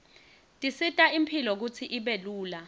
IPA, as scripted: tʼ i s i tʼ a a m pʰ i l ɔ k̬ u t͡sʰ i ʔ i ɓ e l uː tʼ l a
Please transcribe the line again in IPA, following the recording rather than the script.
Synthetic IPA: tʼ i s i tʼ a i m pʰ i l ɔ k̬ u t͡sʰ i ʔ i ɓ e l uː l a